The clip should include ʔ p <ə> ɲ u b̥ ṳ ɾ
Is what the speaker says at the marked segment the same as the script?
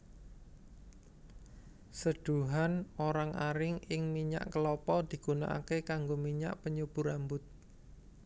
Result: yes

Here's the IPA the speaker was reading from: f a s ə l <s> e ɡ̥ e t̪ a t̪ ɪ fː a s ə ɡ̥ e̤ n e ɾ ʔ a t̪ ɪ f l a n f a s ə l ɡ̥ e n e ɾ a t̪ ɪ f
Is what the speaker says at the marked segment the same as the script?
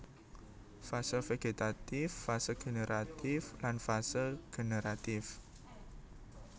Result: no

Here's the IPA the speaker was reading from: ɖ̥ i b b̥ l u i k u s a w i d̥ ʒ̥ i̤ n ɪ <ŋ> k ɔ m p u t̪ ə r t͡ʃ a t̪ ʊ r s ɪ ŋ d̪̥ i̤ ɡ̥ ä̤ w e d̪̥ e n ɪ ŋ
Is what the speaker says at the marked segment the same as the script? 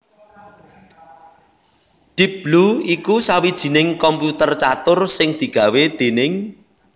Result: yes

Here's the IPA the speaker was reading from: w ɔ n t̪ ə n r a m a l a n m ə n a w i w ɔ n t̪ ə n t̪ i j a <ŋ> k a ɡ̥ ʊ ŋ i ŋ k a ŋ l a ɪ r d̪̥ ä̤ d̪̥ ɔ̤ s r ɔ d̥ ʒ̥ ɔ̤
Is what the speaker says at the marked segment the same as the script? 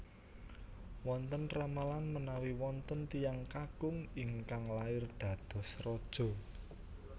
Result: yes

